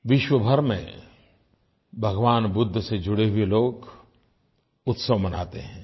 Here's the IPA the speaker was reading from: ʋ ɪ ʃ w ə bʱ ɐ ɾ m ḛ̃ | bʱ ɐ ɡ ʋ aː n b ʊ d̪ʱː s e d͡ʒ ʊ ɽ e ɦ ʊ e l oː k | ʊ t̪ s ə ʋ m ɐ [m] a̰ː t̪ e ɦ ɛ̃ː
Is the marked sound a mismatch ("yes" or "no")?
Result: yes